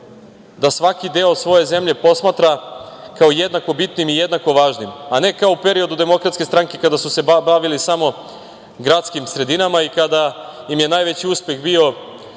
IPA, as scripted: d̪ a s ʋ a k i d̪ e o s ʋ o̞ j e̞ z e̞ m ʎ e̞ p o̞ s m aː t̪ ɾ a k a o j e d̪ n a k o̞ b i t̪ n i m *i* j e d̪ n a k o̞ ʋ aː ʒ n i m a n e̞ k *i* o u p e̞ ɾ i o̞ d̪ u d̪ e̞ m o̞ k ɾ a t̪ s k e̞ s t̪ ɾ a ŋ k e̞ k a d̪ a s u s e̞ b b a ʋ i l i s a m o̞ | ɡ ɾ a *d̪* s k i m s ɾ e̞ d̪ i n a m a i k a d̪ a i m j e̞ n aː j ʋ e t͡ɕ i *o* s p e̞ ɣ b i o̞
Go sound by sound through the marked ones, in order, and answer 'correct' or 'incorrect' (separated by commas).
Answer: correct, incorrect, incorrect, incorrect